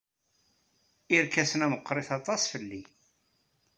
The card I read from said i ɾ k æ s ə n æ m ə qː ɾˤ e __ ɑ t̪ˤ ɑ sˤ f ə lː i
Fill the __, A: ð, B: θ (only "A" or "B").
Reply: B